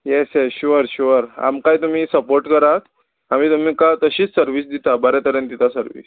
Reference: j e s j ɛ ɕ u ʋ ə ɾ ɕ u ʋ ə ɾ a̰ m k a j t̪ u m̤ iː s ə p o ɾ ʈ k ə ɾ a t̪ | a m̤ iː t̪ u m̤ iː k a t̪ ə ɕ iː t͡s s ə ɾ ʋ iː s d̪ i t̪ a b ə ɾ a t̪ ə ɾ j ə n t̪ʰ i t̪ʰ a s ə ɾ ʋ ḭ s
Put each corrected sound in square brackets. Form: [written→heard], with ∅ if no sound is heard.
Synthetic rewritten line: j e s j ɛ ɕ u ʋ ə ɾ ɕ u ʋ ə ɾ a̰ m k a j t̪ u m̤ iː s ə p o ɾ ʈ k ə ɾ a t̪ | a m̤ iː t̪ u m̤ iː k a t̪ ə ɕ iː t͡s s ə ɾ ʋ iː s d̪ i t̪ a b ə ɾ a t̪ ə ɾ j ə n [t̪ʰ→t̪] i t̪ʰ a s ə ɾ ʋ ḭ s